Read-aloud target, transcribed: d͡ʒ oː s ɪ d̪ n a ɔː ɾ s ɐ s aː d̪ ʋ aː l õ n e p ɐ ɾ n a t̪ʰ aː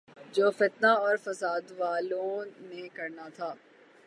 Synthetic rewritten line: d͡ʒ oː f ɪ t̪ n a ɔː ɾ f ɐ s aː d̪ ʋ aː l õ n e k ɐ ɾ n a t̪ʰ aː